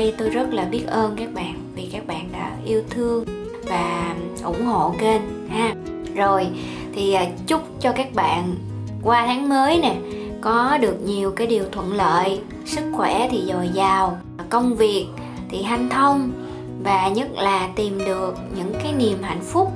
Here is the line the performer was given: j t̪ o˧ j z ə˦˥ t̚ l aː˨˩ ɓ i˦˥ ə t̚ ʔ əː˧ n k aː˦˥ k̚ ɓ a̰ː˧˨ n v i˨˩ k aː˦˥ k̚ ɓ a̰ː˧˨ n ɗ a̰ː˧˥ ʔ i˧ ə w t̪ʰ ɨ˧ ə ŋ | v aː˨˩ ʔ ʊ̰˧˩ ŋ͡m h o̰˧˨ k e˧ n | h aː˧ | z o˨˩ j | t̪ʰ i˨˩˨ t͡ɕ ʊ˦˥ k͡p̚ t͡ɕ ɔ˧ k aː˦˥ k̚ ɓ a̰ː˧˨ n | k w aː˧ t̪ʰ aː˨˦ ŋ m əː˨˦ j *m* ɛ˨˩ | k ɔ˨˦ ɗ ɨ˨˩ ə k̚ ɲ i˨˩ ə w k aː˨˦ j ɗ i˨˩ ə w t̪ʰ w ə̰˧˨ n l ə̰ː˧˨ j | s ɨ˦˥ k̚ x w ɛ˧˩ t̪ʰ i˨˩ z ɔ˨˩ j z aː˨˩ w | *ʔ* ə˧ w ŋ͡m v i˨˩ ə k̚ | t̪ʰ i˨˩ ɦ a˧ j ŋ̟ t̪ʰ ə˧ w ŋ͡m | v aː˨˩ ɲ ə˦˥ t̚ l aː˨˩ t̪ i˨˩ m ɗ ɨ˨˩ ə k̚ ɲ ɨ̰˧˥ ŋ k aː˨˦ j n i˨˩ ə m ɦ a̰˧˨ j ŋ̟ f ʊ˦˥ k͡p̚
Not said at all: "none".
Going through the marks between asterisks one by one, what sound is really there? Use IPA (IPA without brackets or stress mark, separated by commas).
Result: n, k